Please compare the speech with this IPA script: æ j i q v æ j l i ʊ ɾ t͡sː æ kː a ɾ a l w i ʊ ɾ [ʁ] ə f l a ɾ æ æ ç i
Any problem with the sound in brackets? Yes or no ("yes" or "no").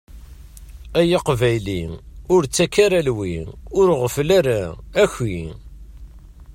no